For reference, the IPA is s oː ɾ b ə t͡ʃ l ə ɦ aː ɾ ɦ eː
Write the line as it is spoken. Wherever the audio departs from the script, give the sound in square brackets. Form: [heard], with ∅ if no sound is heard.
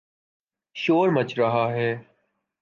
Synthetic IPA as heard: [ʃ] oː ɾ [m] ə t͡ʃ [ɾ] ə ɦ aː [∅] ɦ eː